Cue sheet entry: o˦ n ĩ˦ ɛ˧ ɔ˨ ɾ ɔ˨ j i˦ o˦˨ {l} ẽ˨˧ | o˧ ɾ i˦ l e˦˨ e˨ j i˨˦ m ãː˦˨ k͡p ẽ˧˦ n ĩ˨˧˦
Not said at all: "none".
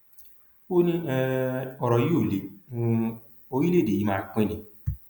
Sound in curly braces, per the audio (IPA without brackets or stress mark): l